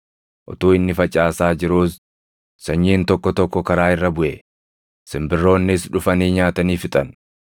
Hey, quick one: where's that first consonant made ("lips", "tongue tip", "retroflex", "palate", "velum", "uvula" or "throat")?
throat